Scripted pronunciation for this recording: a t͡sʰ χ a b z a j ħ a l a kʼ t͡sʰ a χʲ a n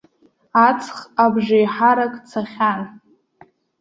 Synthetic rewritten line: a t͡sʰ χ a b ʒ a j ħ a ɾ a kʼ t͡sʰ a χʲ a n